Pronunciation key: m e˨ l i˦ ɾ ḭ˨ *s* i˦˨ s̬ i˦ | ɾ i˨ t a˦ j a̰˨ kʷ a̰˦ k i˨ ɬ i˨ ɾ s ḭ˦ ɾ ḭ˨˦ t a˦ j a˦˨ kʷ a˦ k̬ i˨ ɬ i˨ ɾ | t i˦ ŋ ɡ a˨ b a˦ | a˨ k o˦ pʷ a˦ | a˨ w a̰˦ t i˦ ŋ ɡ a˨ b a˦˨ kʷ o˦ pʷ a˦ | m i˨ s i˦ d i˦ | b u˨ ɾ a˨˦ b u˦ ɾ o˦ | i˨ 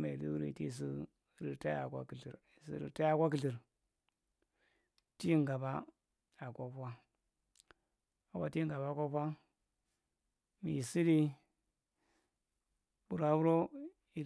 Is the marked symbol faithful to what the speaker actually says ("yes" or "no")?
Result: no